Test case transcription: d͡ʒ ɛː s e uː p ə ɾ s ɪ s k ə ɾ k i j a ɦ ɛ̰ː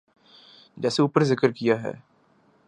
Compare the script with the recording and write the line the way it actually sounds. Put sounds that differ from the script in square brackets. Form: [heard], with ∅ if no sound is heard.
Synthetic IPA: d͡ʒ ɛː s e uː p ə ɾ [z] ɪ [∅] k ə ɾ k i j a ɦ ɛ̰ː